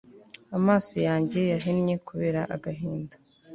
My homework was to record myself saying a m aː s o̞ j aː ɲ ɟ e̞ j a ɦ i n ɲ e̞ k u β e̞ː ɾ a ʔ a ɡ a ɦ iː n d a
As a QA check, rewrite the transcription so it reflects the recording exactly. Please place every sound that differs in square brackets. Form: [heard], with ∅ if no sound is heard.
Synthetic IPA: a m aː s o̞ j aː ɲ ɟ e̞ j a ɦ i n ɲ e̞ k u β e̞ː ɾ a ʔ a ɡ a ɦ iː n d a